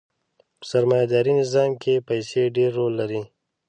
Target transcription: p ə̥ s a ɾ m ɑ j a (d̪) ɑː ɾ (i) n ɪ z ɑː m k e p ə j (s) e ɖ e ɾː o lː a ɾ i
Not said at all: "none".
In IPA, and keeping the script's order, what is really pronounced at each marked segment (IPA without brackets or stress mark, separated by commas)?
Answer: d̪, i, s